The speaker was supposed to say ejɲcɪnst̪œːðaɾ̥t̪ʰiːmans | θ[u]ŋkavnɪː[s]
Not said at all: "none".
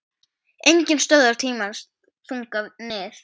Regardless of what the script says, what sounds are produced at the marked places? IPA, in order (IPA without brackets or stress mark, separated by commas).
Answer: u, θ